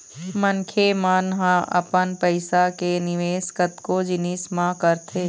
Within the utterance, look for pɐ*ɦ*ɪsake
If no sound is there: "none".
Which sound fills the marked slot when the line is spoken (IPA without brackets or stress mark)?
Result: none